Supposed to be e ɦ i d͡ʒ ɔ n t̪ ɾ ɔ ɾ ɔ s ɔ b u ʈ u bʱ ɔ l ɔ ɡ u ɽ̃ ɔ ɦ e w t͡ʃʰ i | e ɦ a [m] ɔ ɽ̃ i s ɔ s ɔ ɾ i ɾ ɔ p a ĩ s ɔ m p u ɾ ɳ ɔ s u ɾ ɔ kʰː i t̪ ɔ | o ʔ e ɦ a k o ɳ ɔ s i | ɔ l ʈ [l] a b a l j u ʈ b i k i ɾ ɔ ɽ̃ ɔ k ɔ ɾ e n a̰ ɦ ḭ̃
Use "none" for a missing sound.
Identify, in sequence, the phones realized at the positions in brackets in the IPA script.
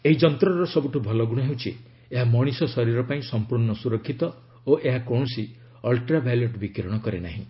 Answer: m, ɾ

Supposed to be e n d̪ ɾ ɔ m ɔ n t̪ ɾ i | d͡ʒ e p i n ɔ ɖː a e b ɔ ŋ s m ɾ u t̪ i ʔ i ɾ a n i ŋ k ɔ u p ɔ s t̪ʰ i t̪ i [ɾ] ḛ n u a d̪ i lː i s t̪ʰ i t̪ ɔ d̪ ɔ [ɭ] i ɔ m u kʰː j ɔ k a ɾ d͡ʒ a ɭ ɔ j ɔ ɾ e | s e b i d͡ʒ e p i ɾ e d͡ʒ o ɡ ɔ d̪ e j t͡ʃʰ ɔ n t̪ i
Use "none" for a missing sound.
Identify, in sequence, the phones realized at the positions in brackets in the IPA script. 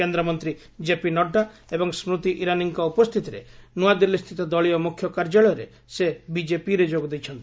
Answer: ɾ, ɭ

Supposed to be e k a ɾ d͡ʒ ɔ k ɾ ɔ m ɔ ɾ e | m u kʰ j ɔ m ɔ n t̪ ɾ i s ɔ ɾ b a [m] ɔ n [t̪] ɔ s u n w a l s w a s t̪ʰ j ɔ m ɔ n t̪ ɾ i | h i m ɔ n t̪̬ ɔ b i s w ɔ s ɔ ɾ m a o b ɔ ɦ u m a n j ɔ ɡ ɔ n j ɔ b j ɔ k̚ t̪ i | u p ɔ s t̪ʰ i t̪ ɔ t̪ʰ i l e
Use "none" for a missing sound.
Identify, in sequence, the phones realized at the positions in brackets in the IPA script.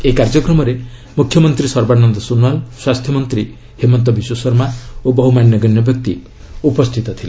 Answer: n, d̪

